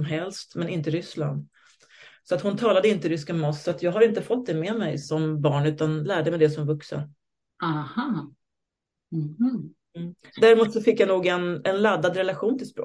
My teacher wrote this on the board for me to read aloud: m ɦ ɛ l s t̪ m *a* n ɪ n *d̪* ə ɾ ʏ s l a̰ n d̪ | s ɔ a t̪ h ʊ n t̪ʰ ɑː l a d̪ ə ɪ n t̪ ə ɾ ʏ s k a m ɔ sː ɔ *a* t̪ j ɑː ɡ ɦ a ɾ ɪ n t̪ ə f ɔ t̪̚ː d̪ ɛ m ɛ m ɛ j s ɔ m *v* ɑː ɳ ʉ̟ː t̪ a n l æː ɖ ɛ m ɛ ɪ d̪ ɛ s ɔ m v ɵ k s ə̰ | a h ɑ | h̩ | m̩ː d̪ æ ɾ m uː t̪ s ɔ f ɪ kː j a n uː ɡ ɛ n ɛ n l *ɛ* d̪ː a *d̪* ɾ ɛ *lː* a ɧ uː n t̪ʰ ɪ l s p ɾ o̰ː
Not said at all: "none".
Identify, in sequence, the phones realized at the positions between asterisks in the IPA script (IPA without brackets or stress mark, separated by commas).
ɛ, t̪, a, b, a, d̪, l